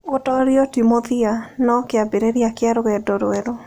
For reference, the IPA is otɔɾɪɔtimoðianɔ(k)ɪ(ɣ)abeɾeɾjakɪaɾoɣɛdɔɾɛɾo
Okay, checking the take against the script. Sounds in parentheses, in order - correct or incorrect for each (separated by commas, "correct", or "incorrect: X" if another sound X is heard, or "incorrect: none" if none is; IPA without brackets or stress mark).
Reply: correct, incorrect: none